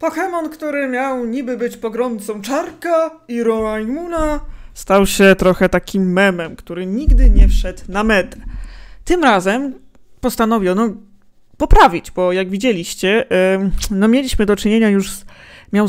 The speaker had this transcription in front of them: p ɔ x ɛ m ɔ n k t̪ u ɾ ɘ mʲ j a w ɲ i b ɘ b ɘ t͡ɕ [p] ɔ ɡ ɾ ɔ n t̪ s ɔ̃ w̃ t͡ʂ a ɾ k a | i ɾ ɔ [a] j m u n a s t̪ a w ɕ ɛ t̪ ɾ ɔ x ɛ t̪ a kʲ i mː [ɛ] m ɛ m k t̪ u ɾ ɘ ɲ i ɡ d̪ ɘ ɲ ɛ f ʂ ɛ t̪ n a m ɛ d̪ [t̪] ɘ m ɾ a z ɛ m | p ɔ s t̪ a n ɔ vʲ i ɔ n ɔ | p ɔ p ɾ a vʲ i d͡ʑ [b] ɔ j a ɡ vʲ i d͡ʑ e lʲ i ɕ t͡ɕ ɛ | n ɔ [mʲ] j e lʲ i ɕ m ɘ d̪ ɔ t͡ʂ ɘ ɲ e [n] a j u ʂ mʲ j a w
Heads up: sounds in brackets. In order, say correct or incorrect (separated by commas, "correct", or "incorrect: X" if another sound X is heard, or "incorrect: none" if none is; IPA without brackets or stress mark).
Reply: correct, correct, correct, correct, correct, correct, incorrect: ɲ